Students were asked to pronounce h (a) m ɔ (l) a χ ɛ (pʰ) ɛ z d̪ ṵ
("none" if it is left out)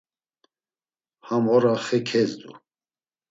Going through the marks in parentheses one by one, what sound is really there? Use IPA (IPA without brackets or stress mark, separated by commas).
a, ɾ, kʰ